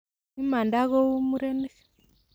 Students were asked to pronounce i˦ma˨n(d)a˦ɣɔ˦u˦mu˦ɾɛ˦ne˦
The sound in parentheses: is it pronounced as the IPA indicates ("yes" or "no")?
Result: yes